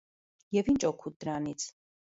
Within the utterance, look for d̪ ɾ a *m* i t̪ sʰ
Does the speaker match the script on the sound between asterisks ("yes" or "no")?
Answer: no